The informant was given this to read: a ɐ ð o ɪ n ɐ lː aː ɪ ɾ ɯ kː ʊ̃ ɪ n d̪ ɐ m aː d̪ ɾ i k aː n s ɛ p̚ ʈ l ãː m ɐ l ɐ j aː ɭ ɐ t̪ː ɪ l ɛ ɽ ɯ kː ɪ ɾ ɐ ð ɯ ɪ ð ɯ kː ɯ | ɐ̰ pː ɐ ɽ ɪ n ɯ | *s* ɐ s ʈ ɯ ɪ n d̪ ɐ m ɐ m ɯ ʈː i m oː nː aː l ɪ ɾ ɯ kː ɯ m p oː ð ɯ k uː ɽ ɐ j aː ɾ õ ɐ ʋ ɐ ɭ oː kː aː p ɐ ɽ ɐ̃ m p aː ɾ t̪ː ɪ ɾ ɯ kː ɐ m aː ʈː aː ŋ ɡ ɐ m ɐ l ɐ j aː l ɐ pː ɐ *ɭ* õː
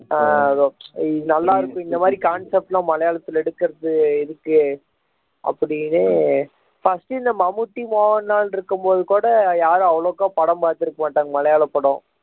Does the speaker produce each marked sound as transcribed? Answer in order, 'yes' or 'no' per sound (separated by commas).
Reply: no, no